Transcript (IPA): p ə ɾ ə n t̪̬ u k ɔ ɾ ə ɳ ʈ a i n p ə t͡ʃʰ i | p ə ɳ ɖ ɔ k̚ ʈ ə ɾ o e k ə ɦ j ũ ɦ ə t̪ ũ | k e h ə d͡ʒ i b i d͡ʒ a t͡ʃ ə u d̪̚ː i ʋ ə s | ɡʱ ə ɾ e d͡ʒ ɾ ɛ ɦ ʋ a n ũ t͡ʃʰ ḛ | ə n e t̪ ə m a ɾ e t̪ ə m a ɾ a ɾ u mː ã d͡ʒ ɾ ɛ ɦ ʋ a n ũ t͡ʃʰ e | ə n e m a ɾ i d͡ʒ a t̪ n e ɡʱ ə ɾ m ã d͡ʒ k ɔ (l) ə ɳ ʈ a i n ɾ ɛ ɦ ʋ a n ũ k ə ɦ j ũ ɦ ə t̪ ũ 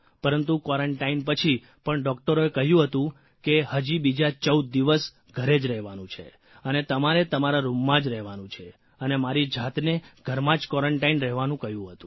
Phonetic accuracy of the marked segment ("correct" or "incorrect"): incorrect